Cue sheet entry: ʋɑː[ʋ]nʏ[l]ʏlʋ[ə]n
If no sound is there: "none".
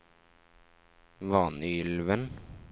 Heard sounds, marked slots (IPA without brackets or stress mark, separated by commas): none, none, ə